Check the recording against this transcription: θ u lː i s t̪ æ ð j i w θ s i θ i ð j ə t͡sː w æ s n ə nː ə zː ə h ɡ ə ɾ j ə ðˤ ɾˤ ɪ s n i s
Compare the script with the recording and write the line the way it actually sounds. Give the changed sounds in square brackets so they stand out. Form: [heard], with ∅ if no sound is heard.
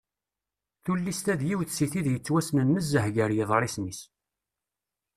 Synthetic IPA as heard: θ u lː i s t̪ æ ð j i w θ s i θ i ð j ə t͡sː w æ s n ə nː ə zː ə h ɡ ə ɾ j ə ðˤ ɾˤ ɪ s n i s